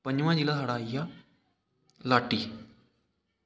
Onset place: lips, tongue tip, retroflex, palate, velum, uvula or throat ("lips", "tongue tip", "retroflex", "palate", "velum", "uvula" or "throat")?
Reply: lips